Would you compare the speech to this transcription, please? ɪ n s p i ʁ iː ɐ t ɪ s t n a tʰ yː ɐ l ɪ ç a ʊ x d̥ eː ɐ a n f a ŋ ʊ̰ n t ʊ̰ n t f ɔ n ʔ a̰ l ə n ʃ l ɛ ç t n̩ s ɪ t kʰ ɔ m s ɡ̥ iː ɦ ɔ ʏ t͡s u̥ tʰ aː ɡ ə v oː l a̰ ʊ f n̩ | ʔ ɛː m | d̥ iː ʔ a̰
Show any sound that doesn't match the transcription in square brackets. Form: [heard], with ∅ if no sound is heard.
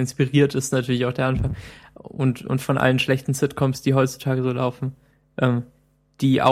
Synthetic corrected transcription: ɪ n s p i ʁ iː ɐ t ɪ s t n a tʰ yː ɐ l ɪ ç a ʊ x d̥ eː ɐ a n f a ŋ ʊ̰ n t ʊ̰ n t f ɔ n ʔ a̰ l ə n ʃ l ɛ ç t n̩ s ɪ t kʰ ɔ m s [d̥] iː ɦ ɔ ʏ t͡s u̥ tʰ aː ɡ ə [z] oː l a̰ ʊ f n̩ | ʔ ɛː m | d̥ iː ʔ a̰